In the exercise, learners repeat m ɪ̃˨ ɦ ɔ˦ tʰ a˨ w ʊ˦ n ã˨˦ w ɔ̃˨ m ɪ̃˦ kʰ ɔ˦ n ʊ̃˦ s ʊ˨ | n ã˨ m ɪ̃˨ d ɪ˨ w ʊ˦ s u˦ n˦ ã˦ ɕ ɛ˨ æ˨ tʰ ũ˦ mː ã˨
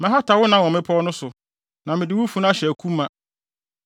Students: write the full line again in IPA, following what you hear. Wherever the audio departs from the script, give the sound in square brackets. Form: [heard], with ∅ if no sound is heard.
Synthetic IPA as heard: m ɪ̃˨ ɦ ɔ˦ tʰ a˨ w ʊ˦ n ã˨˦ w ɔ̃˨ m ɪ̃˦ [pʰ] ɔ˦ n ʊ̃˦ s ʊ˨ | n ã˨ m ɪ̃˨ d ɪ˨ w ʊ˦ [f] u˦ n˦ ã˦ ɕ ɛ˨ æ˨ [kʰ] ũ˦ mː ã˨

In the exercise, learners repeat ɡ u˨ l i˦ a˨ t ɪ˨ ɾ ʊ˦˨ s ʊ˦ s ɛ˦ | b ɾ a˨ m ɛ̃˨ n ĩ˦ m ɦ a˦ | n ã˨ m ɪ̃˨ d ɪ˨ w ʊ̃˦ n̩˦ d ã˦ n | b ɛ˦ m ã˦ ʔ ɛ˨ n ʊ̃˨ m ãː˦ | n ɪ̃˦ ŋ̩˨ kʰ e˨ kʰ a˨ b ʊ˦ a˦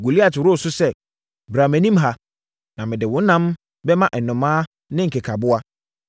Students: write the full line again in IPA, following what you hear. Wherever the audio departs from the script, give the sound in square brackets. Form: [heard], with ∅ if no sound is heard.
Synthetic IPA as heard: ɡ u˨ l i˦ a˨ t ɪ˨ ɾ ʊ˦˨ s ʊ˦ s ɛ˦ | b ɾ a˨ m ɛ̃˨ n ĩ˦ m ɦ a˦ | n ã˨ m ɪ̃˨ d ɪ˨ w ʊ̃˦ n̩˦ [n] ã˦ [m] | b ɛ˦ m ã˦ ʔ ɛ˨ n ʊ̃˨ m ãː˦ | n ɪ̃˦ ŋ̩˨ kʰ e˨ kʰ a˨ b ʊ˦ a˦

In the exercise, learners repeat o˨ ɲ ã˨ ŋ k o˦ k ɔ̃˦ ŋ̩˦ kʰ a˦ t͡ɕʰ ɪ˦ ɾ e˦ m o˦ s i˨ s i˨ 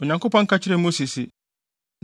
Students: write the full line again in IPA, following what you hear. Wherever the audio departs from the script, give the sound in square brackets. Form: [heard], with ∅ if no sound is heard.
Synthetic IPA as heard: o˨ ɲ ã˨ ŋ k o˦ [p] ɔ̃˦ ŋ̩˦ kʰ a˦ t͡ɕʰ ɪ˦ ɾ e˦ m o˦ s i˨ s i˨

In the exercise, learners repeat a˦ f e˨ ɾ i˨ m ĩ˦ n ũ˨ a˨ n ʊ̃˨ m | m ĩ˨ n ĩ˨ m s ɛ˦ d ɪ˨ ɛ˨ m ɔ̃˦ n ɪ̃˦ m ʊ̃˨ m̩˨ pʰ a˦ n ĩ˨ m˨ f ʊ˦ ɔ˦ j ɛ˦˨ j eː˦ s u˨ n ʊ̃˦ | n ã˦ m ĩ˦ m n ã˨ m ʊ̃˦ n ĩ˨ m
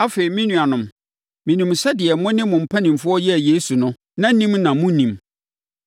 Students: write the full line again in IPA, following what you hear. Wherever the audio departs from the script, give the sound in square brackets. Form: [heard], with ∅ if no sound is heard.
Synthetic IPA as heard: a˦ f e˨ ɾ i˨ m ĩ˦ n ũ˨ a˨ n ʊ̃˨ m | m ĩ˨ n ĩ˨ m s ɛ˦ d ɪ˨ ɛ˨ m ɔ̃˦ n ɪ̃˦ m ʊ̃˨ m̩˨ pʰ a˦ n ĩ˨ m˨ f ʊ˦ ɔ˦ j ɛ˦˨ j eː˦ s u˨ n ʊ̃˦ | n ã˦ [n] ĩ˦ m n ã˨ m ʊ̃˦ n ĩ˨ m

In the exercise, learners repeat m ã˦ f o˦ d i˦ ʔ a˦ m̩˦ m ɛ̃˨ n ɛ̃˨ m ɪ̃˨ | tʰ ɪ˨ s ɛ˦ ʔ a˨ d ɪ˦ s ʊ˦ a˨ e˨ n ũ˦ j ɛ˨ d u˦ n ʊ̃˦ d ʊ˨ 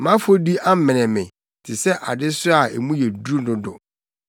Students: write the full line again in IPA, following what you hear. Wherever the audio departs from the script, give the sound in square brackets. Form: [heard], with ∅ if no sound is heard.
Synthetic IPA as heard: m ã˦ f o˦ d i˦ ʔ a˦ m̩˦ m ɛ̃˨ n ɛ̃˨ m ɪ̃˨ | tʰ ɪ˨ s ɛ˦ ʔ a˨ d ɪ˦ s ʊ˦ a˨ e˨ [m] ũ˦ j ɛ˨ d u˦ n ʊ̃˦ d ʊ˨

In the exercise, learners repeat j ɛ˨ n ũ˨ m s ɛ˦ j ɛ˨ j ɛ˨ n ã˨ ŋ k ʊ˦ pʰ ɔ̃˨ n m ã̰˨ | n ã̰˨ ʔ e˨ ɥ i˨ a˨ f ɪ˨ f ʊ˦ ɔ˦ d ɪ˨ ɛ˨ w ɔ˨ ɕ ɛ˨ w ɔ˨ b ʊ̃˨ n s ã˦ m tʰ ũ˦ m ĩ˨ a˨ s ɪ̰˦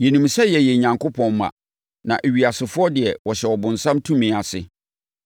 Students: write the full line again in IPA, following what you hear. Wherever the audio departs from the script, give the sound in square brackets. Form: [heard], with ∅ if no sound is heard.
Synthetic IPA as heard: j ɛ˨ n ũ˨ m s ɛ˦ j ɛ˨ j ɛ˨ [ɲ] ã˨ ŋ k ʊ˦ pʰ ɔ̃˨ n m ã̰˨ | n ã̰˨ ʔ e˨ ɥ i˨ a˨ [s] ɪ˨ f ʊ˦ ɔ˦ d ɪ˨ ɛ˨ w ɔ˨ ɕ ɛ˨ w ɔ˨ b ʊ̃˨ n s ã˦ m tʰ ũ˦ m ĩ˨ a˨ s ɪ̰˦

